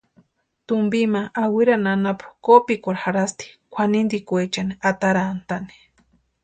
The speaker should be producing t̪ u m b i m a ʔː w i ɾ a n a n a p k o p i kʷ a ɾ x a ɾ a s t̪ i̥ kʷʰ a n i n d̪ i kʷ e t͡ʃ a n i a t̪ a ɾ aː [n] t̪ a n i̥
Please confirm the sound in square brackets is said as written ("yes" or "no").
yes